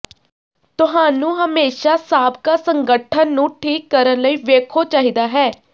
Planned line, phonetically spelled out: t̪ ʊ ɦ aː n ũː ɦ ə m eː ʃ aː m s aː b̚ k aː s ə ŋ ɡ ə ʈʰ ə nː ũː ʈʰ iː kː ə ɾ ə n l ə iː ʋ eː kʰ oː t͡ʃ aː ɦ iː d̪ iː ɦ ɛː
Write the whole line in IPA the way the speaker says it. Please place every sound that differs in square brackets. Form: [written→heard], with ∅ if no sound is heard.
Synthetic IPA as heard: t̪ ʊ ɦ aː n ũː ɦ ə m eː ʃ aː [m→∅] s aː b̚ k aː s ə ŋ ɡ ə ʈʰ ə nː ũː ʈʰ iː kː ə ɾ ə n l ə iː ʋ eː kʰ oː t͡ʃ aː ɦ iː d̪ [iː→aː] ɦ ɛː